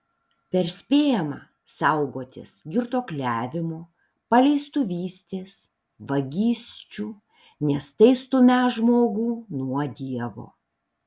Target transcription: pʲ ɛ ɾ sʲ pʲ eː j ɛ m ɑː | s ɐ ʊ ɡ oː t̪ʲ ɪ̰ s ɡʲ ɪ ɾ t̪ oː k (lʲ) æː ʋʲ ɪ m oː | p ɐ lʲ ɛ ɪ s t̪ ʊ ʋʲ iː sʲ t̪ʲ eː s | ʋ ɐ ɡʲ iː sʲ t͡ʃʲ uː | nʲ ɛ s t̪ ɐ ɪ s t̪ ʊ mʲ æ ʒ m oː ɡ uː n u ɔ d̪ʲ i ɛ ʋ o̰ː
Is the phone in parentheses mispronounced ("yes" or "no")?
no